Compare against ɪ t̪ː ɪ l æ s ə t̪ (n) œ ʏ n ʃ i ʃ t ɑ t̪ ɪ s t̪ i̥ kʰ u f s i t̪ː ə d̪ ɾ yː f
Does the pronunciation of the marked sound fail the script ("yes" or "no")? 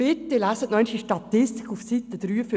no